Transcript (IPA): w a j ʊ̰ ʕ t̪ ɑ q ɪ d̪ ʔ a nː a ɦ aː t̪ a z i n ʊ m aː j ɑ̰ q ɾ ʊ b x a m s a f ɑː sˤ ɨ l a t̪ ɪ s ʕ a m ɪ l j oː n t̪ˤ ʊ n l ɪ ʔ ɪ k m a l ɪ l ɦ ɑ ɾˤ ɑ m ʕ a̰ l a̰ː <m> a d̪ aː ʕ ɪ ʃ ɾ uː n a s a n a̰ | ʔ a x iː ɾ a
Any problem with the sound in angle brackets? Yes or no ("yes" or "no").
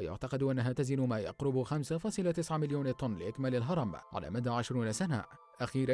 no